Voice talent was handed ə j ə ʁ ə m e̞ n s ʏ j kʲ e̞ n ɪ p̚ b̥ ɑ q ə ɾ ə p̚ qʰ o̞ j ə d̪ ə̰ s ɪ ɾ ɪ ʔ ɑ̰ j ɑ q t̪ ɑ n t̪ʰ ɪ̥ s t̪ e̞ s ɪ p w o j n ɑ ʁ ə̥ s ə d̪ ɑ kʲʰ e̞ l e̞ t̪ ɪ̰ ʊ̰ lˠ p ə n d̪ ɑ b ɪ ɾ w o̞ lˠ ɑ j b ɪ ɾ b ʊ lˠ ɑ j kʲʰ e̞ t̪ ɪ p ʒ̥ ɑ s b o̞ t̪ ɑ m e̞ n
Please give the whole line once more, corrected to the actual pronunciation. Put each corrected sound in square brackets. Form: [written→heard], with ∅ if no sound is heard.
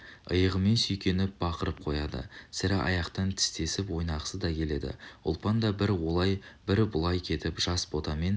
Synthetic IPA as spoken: ə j ə ʁ ə m e̞ n s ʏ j kʲ e̞ n ɪ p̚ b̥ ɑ q ə ɾ ə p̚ qʰ o̞ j [ə→ɑ] d̪ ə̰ s ɪ ɾ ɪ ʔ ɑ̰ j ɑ q t̪ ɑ n t̪ʰ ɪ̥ s t̪ e̞ s ɪ p w o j n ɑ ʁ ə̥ s ə d̪ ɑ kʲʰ e̞ l e̞ [t̪→d̪] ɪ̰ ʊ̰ lˠ p [ə→ɑ] n d̪ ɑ b ɪ ɾ w o̞ lˠ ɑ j b ɪ ɾ b ʊ lˠ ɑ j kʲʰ e̞ t̪ ɪ p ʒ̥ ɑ s b o̞ t̪ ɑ m e̞ n